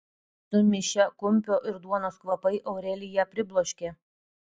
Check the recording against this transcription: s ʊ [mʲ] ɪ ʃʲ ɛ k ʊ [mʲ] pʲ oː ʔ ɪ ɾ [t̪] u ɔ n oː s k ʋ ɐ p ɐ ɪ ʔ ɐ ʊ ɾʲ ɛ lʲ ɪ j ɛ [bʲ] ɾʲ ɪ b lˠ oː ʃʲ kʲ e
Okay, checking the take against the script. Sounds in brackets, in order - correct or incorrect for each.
correct, correct, incorrect: d̪, incorrect: pʲ

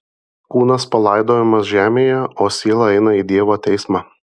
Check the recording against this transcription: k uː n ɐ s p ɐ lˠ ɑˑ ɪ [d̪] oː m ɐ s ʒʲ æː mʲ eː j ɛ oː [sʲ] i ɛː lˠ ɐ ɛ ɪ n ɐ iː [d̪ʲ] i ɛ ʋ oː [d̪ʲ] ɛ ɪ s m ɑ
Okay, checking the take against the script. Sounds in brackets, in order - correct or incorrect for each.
correct, correct, correct, incorrect: t̪ʲ

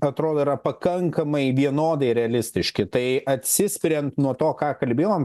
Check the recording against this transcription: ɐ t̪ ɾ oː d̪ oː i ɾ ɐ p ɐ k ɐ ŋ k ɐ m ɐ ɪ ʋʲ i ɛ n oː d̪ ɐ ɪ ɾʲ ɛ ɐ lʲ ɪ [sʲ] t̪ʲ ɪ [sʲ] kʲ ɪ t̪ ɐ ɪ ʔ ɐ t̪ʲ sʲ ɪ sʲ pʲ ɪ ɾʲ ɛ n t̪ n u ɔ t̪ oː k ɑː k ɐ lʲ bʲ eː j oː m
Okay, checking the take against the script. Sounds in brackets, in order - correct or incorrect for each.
correct, incorrect: ʃʲ

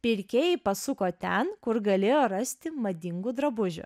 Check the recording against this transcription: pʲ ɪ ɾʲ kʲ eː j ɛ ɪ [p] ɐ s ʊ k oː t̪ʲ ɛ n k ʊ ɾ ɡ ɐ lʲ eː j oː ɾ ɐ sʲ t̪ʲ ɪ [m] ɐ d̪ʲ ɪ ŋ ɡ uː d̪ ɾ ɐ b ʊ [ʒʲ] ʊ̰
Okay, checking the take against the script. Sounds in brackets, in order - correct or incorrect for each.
correct, correct, correct

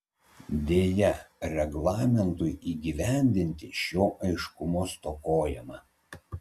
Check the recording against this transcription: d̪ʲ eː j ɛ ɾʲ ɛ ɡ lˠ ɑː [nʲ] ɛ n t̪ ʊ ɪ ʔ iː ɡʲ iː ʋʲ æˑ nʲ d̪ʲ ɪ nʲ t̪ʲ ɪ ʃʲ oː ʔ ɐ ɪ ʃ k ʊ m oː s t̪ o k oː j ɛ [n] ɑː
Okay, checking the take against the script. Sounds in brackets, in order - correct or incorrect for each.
incorrect: mʲ, incorrect: m

